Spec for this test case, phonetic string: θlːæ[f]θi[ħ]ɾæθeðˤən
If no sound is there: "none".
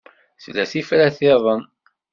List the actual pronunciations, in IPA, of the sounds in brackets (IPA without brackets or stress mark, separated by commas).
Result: none, f